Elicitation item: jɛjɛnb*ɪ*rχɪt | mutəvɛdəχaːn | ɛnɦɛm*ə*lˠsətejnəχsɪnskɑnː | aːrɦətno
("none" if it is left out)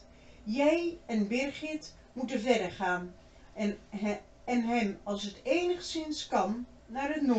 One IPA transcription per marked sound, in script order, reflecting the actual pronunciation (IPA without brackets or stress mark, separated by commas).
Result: ɪ, ɑ